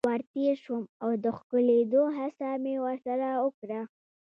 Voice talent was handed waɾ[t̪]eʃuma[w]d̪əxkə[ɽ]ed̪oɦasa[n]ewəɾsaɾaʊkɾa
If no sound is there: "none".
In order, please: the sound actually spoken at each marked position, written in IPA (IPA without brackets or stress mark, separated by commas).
t̪, w, l, m